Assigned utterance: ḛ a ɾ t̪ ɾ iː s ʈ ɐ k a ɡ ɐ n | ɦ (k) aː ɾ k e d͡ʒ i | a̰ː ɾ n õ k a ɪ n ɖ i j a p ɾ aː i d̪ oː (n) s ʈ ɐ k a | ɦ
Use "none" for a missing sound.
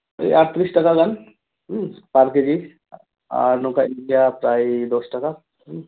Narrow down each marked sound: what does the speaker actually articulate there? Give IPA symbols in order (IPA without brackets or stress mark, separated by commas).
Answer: p, none